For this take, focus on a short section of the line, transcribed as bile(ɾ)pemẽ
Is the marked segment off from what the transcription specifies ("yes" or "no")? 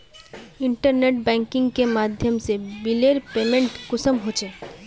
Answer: no